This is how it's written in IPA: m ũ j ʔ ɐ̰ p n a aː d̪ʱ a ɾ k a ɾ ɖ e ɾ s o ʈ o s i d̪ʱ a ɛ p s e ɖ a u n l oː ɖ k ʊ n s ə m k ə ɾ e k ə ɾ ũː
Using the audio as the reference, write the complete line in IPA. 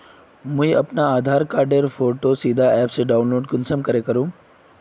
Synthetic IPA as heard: m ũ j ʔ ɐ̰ p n a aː d̪ʱ a ɾ k a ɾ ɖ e ɾ f o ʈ o s i d̪ʱ a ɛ p s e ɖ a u n l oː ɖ k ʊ n s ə m k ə ɾ e k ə ɾ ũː